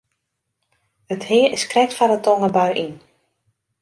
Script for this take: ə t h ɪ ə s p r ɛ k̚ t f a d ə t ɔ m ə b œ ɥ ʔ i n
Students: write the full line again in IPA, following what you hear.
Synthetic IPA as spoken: ə t h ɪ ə s k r ɛ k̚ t f a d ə t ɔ ŋ ə b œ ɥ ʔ i n